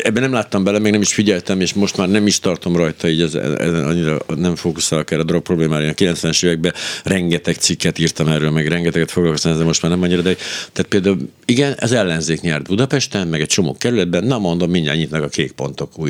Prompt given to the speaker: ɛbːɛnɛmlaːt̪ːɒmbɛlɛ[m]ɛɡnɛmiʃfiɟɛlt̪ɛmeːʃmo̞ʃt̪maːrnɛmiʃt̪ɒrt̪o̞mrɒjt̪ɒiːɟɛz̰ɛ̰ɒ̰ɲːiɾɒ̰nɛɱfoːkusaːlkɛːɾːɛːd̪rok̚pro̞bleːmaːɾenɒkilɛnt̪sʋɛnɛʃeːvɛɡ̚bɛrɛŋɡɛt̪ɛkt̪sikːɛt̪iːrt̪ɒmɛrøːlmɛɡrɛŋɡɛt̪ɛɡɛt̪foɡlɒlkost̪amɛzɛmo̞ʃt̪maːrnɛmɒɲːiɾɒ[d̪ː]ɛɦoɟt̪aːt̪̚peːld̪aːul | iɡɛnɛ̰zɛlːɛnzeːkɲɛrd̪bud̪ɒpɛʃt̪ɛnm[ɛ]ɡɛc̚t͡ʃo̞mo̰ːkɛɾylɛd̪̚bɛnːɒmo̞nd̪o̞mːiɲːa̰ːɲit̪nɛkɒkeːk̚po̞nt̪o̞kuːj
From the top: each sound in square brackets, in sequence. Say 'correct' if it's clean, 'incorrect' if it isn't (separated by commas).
correct, incorrect, correct